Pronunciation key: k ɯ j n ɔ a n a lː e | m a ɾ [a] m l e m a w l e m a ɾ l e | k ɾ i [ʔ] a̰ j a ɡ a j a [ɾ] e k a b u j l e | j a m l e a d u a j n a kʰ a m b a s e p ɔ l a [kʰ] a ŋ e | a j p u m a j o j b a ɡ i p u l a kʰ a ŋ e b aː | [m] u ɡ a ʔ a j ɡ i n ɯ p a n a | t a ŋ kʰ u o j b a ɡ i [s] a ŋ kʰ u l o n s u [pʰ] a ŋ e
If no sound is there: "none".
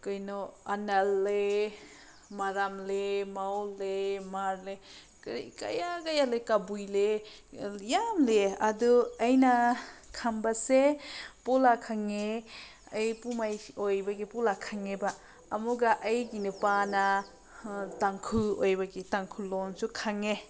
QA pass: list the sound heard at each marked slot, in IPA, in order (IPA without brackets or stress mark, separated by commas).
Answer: a, k, l, kʰ, m, t, kʰ